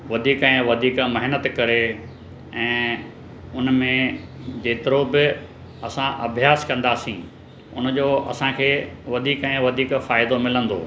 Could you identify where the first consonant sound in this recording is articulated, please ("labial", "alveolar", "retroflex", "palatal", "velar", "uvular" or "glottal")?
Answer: labial